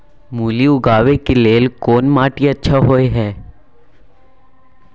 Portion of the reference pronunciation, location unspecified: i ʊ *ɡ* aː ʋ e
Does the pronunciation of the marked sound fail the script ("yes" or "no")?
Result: no